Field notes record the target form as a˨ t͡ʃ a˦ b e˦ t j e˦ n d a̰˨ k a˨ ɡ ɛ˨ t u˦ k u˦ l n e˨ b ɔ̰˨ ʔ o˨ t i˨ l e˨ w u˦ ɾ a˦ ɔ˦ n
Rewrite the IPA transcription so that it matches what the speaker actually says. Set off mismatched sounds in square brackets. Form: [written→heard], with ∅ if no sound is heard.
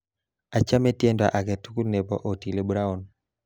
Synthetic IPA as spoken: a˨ t͡ʃ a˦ [b→m] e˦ t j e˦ n d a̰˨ [k→ʔ] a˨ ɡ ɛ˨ t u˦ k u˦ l n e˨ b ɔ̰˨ ʔ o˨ t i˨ l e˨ [w→b] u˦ ɾ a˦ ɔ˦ n